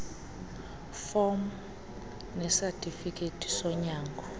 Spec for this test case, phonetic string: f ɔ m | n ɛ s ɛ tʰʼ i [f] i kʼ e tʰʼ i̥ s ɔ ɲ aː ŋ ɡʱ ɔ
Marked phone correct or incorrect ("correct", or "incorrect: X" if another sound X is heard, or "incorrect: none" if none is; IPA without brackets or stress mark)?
correct